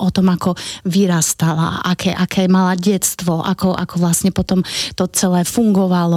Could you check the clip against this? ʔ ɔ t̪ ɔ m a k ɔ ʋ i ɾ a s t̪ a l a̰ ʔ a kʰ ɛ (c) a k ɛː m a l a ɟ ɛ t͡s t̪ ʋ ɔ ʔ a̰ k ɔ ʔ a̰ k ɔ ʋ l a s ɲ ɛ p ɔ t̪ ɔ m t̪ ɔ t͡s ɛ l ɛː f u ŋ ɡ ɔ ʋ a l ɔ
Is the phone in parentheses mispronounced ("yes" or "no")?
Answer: yes